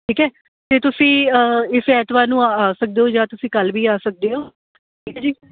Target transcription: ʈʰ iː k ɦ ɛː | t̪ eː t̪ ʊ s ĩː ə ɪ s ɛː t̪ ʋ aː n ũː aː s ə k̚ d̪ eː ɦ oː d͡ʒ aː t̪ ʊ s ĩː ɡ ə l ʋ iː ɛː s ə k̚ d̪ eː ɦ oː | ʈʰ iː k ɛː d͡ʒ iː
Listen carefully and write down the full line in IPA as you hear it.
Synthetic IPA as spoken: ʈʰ iː k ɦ ɛː | t̪ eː t̪ ʊ s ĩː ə ɪ s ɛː t̪ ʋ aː n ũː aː s ə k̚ d̪ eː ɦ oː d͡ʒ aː t̪ ʊ s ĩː k ə l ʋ iː aː s ə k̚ d̪ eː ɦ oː | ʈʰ iː k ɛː d͡ʒ iː